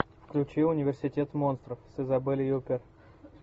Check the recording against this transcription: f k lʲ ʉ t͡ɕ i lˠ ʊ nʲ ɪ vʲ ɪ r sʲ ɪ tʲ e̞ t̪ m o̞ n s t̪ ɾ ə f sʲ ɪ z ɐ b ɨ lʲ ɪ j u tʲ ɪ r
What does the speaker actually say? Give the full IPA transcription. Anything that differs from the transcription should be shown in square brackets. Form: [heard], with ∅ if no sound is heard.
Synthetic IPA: f k lʲ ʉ t͡ɕ i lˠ ʊ nʲ ɪ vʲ ɪ r sʲ ɪ tʲ e̞ t̪ m o̞ n s t̪ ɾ ə f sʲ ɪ z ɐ b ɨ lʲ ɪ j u [pʲ] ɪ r